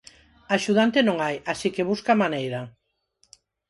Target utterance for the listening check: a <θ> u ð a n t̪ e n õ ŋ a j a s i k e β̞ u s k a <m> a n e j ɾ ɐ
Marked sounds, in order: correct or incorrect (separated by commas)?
incorrect, correct